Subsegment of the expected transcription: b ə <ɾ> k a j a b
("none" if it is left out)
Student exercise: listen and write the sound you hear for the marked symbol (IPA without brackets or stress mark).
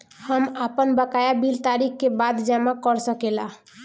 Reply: none